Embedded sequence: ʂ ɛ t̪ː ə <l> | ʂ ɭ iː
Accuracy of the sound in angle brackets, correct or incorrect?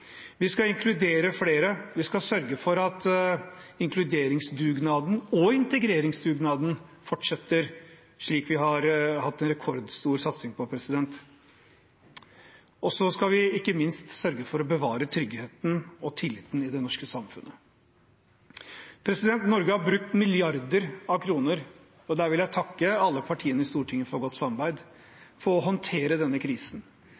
incorrect